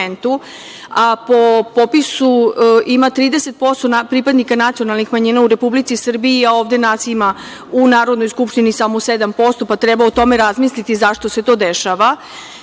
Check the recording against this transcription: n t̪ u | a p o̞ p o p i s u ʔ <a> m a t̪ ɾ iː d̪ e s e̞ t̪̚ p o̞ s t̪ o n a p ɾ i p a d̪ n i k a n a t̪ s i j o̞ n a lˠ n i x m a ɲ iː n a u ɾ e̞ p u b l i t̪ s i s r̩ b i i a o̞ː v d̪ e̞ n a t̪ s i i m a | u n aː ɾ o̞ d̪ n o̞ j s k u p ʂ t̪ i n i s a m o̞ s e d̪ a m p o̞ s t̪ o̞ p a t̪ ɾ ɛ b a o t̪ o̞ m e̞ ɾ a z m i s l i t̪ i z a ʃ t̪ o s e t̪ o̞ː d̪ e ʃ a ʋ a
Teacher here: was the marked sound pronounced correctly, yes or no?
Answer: no